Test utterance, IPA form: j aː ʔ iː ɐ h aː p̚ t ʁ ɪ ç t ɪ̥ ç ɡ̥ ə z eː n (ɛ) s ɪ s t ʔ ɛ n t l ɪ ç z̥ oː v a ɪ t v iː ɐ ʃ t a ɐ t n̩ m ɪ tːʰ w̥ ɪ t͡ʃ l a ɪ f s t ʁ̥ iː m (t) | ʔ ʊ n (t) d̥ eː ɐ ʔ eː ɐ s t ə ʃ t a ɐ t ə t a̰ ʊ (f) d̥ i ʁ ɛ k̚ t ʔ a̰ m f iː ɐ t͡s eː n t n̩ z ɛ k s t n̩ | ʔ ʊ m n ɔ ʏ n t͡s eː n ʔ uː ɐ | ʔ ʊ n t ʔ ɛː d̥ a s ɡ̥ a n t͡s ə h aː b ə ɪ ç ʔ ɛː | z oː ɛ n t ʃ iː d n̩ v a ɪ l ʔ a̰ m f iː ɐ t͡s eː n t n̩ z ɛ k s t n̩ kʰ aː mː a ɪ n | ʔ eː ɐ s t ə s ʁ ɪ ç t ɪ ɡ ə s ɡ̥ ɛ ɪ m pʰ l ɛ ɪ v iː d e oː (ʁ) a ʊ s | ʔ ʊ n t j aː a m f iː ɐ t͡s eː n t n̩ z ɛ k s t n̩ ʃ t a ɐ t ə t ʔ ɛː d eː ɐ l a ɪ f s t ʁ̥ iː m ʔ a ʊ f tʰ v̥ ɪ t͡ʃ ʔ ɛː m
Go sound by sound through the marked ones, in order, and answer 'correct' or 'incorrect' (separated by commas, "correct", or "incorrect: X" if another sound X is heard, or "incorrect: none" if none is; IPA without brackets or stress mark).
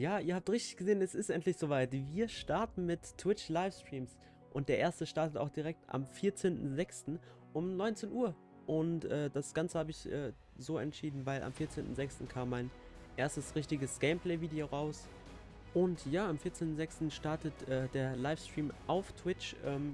correct, incorrect: s, correct, incorrect: x, correct